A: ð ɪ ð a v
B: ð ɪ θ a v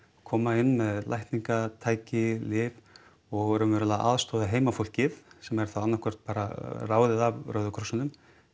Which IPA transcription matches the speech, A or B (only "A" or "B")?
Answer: A